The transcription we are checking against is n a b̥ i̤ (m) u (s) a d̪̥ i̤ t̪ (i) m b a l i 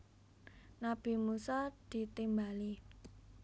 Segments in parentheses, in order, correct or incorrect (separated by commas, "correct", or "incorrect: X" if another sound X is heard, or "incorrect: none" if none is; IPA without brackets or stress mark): correct, correct, correct